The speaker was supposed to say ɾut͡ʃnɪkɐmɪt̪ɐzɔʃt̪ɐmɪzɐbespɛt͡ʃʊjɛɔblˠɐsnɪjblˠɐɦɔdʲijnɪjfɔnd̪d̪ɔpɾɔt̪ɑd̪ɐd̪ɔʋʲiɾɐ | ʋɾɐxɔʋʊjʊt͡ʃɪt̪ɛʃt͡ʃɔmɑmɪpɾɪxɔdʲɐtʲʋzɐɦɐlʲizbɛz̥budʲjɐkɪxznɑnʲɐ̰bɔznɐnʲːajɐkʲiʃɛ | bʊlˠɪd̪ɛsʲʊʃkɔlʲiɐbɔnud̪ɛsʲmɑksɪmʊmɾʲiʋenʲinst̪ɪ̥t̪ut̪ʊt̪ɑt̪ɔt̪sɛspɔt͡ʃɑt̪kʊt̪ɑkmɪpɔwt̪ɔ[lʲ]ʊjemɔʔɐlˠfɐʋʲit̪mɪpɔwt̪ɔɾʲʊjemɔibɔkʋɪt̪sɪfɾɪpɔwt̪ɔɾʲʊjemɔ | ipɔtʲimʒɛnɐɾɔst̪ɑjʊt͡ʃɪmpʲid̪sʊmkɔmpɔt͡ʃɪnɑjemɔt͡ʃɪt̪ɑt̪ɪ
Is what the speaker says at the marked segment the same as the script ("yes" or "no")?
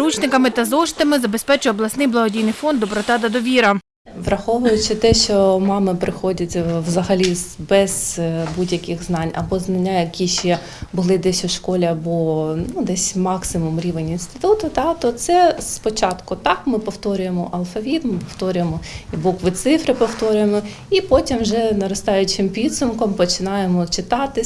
no